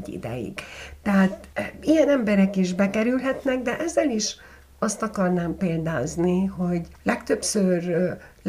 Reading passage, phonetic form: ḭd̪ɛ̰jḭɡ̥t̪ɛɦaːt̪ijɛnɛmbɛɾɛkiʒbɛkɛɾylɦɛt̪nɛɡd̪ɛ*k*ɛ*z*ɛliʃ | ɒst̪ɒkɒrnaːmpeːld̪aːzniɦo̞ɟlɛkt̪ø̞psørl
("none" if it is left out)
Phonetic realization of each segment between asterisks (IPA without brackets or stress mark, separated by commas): ʔ, zː